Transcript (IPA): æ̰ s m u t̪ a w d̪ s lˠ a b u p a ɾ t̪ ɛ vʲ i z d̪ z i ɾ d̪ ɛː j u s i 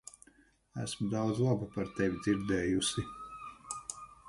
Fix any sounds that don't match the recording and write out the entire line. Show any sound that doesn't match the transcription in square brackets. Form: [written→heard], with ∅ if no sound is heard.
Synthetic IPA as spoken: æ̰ s m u [t̪→d̪] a w d̪ [s→z] lˠ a b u p a ɾ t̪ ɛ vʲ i [z→∅] d̪ z i ɾ d̪ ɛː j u s i